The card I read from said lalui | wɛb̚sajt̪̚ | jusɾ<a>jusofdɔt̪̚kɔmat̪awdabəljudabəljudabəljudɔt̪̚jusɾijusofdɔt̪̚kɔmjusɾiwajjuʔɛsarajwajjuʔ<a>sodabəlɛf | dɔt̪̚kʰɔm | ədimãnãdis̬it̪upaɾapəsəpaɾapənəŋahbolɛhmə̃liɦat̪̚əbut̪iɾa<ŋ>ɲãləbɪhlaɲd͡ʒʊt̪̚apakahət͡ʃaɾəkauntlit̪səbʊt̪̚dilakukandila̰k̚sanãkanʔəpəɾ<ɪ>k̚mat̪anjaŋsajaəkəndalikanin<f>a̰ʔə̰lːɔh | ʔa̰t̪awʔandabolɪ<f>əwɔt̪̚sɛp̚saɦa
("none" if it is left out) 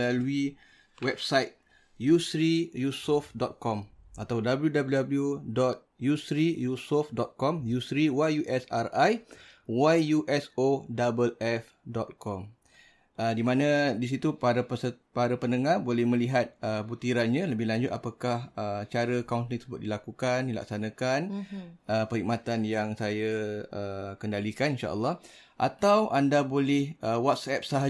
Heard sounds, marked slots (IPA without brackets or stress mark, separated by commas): i, ɛ, n, i, ʃ, h